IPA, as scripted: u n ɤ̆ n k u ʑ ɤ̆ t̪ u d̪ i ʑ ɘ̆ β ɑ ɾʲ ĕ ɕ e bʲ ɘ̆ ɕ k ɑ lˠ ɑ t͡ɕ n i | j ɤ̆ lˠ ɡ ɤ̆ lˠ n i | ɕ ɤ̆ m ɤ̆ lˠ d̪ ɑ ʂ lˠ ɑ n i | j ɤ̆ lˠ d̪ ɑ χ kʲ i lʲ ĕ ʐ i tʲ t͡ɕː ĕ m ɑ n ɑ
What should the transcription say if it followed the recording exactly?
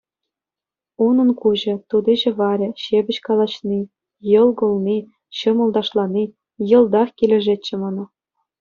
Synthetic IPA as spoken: u n ɤ̆ n k u ʑ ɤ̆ t̪ u d̪ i ʑ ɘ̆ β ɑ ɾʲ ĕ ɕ e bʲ ɘ̆ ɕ k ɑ lˠ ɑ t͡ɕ n i | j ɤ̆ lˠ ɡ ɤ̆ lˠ n i | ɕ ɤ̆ m ɤ̆ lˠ d̪ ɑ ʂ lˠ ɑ n i | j ɤ̆ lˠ d̪ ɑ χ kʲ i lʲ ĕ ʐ e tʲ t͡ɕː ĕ m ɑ n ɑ